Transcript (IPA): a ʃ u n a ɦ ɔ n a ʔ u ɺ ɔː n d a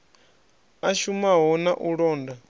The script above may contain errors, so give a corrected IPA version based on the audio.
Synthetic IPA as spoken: a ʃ u m a ɦ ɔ n a ʔ u ɺ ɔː n d a